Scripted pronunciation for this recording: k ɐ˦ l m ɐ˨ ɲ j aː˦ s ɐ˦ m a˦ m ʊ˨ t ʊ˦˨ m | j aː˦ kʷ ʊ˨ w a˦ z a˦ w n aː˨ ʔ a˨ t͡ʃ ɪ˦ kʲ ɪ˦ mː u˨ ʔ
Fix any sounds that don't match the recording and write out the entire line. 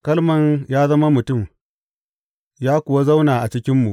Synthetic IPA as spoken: k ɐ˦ l m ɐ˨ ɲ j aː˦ z ɐ˦ m a˦ m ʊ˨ t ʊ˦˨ m | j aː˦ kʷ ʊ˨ w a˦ z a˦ w n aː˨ ʔ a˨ t͡ʃ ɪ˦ kʲ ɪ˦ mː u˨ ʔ